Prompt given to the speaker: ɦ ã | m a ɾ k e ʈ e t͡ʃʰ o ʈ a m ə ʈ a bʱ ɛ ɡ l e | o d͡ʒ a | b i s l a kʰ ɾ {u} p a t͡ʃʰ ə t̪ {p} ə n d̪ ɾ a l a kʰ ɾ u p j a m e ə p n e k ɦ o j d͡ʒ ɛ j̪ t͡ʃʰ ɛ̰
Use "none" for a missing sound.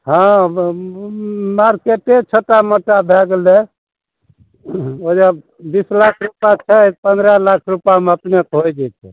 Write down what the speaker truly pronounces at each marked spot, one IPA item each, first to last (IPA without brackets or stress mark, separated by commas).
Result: u, p